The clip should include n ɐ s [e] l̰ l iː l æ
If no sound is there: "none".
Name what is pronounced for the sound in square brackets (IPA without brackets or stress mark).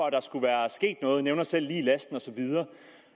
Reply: e